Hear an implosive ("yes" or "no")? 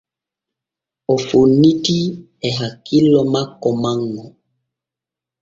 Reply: no